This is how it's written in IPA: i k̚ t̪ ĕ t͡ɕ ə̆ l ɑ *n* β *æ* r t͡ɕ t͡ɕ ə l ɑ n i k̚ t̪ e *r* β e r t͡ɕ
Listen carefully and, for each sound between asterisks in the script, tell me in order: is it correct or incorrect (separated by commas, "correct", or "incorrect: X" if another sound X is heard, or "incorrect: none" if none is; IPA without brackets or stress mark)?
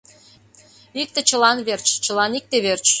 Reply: correct, incorrect: e, incorrect: none